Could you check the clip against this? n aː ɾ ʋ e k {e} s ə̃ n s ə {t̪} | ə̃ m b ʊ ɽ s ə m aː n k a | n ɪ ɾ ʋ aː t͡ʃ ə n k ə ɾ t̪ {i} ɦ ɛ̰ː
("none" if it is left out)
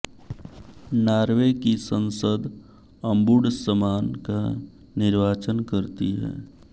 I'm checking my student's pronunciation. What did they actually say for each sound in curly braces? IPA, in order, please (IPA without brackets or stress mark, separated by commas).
i, d̪, i